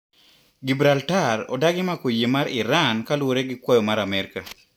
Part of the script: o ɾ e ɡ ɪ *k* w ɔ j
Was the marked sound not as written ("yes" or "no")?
no